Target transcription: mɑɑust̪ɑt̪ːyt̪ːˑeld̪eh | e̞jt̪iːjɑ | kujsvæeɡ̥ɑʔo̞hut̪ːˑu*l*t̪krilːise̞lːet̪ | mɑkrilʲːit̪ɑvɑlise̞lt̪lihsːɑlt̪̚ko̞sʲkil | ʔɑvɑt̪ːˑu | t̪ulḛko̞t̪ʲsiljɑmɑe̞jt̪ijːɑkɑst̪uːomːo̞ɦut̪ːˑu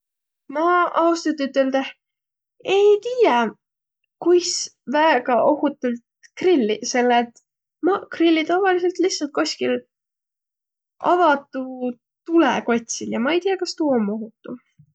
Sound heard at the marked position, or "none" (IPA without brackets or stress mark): l